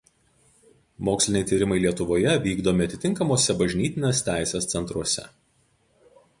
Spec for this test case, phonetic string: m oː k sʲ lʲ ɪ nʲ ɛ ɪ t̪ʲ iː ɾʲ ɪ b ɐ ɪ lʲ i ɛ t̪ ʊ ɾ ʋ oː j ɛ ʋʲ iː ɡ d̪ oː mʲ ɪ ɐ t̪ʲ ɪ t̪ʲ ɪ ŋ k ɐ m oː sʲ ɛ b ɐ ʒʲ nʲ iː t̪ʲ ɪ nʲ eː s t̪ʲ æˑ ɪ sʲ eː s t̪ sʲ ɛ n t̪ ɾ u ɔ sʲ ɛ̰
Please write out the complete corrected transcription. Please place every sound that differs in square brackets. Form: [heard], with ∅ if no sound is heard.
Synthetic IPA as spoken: m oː k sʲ lʲ ɪ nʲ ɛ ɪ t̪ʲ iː ɾʲ ɪ [m] ɐ ɪ lʲ i ɛ t̪ ʊ [∅] ʋ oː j ɛ ʋʲ iː ɡ d̪ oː mʲ ɪ ɐ t̪ʲ ɪ t̪ʲ ɪ ŋ k ɐ m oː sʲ ɛ b ɐ ʒʲ nʲ iː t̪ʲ ɪ nʲ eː s t̪ʲ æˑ ɪ sʲ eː s t̪ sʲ ɛ n t̪ ɾ u ɔ sʲ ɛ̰